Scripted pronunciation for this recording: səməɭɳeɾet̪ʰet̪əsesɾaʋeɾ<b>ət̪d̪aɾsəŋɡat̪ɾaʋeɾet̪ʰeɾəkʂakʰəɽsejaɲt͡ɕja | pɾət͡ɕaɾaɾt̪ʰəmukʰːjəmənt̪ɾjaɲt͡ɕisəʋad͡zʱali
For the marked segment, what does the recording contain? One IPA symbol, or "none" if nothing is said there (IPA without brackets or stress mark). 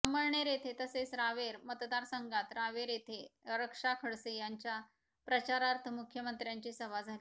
m